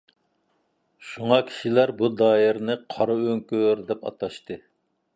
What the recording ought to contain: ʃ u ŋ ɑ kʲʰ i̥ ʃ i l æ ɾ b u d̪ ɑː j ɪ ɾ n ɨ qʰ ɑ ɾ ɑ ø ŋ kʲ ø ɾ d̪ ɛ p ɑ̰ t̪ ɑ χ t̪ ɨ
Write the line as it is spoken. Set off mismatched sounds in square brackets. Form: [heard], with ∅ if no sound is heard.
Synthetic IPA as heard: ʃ u ŋ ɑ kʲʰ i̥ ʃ i l æ ɾ b u d̪ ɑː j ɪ ɾ n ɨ qʰ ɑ ɾ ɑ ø ŋ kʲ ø ɾ d̪ ɛ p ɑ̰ t̪ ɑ [ʃ] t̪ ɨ